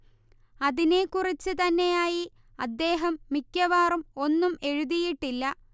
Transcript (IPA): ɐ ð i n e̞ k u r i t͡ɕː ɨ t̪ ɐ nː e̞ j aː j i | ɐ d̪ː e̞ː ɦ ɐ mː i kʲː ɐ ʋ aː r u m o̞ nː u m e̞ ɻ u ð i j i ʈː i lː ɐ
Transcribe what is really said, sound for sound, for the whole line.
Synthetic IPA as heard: ɐ ð i n e̞ k u r i t͡ɕː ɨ t̪ ɐ nː e̞ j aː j i | ɐ d̪ː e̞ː ɦ ɐ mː i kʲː ɐ ʋ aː r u m o̞ nː u m e̞ ɻ u ð i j i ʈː i lː ɐ